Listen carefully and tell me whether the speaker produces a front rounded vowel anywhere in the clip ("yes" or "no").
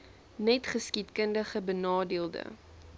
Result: no